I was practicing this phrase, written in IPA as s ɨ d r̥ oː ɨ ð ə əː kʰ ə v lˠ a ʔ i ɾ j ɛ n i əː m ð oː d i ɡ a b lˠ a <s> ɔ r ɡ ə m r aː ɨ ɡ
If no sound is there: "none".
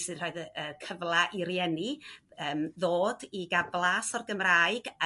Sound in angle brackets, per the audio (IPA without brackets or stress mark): s